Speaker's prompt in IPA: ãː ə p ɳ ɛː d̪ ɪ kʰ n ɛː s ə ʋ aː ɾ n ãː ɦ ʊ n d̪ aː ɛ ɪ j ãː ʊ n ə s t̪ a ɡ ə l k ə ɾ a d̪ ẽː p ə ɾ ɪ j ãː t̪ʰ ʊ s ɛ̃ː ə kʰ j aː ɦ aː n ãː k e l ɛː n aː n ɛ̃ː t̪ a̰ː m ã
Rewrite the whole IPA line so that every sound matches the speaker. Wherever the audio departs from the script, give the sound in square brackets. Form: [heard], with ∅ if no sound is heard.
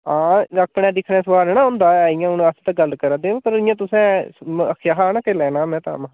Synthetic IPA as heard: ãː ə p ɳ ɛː d̪ ɪ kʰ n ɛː s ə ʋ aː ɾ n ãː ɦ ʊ n d̪ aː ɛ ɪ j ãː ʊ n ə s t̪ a ɡ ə l k ə ɾ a d̪ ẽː p ə ɾ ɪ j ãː [t̪] ʊ s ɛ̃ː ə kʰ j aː ɦ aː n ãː k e l ɛː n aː [m] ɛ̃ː t̪ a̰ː m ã

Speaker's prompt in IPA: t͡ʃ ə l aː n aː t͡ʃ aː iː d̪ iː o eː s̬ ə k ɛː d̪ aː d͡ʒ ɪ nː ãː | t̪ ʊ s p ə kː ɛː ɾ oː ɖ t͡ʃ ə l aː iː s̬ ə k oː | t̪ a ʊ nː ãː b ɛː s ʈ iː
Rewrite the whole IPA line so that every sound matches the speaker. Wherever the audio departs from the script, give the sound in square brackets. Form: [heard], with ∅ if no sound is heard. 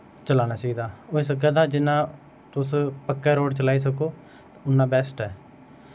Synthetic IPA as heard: t͡ʃ ə l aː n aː t͡ʃ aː iː d̪ [aː] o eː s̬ ə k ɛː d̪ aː d͡ʒ ɪ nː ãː | t̪ ʊ s p ə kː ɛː ɾ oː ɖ t͡ʃ ə l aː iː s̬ ə k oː | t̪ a ʊ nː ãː b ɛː s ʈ [ɛː]

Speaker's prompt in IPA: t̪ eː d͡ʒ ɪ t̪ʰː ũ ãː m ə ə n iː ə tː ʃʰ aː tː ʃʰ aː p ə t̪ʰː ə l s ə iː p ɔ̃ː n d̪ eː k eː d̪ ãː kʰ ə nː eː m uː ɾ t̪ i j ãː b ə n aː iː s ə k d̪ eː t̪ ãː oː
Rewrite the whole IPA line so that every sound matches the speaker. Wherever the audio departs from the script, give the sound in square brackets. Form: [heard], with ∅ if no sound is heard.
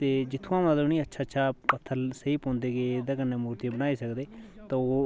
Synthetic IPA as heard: t̪ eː d͡ʒ ɪ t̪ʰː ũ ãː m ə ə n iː ə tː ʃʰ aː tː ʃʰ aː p ə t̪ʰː ə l s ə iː p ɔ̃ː n d̪ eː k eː d̪ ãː [k] ə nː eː m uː ɾ t̪ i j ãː b ə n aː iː s ə k d̪ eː t̪ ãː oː

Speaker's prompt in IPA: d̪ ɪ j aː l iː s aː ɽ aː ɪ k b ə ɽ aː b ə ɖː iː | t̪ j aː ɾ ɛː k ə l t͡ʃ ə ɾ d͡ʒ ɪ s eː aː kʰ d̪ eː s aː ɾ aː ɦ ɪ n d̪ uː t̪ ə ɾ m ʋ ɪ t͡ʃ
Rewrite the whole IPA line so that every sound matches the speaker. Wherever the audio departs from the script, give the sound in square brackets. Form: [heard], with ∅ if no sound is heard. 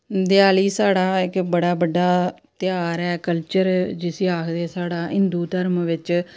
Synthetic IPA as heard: d̪ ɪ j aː l iː s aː ɽ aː ɪ k b ə ɽ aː b ə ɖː [aː] | t̪ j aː ɾ ɛː k ə l t͡ʃ ə ɾ d͡ʒ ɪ s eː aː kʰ d̪ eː s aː [ɽ] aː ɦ ɪ n d̪ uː t̪ ə ɾ m ʋ ɪ t͡ʃ

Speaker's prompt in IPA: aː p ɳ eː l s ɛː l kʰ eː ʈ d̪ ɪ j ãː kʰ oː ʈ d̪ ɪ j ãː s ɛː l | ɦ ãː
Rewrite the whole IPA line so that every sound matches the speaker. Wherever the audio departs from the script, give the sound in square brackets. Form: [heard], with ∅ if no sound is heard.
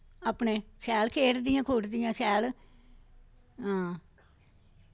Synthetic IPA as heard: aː p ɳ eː [∅] s ɛː l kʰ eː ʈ d̪ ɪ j ãː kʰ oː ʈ d̪ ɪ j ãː s ɛː l | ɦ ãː

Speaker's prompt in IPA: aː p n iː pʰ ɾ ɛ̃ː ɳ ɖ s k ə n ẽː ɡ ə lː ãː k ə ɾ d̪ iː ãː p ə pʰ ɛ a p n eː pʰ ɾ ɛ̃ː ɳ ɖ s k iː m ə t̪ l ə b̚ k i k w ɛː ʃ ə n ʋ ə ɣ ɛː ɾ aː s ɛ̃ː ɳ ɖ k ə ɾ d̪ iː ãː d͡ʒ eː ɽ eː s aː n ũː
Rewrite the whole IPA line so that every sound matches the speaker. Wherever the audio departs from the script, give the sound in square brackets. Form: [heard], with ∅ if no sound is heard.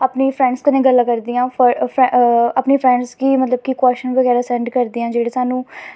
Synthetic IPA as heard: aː p n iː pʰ ɾ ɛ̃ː ɳ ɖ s k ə n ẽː ɡ ə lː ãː k ə ɾ d̪ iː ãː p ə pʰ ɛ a p n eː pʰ ɾ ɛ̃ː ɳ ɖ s k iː m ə t̪ l ə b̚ k i k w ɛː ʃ ə n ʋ ə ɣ ɛː ɾ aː s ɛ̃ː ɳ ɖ k ə ɾ d̪ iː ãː d͡ʒ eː ɽ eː s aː n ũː

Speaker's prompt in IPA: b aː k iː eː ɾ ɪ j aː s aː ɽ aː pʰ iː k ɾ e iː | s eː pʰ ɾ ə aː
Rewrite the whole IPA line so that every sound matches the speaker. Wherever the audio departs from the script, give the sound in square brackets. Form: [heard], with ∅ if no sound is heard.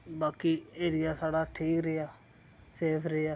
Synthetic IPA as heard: b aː k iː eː ɾ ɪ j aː s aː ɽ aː [ʈʰ] iː k ɾ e [aː] | s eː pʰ ɾ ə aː

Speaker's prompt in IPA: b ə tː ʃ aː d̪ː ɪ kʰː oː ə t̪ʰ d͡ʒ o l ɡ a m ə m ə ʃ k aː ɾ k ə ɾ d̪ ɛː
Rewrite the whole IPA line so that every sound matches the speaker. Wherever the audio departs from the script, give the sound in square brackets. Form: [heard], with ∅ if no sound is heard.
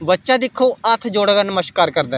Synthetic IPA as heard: b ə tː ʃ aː [d̪] ɪ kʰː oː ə t̪ʰ d͡ʒ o [ɽ] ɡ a [n] ə m ə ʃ k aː ɾ k ə ɾ d̪ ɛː

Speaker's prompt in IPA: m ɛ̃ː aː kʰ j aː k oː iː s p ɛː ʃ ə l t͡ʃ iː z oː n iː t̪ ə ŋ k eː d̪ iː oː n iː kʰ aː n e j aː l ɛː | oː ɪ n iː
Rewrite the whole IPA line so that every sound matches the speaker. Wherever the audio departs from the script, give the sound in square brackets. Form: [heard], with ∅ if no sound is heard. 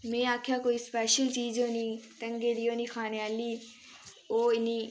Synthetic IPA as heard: m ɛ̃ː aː kʰ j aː k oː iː s p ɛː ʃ ə l t͡ʃ iː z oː n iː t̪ ə ŋ [ɡ] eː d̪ iː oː n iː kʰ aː n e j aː l [iː] | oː ɪ n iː

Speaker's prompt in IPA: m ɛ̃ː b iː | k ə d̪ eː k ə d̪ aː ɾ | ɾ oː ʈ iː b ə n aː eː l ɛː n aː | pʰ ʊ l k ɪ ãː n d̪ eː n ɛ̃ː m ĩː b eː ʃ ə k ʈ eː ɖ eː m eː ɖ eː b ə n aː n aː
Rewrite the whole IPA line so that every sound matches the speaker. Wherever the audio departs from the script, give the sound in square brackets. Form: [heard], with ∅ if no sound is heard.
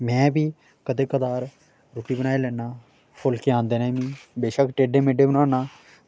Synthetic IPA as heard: m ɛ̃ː b iː | k ə d̪ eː k ə d̪ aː ɾ | ɾ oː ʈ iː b ə n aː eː l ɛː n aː | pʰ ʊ l k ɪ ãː n d̪ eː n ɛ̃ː m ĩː b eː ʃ ə k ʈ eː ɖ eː m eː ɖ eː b ə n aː n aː

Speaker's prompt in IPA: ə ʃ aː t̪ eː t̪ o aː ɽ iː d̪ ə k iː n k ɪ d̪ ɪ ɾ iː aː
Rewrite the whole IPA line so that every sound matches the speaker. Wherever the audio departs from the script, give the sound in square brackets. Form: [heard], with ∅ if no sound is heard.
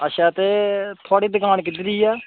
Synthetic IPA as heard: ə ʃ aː t̪ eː [t̪ʰ] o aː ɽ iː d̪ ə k [aː] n k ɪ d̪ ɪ ɾ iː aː

